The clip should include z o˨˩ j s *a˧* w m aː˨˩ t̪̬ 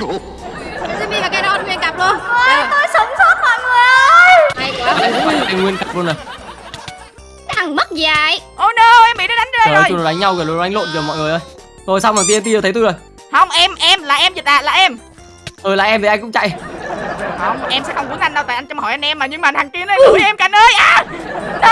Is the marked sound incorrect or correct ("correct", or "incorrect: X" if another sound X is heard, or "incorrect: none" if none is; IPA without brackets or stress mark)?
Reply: correct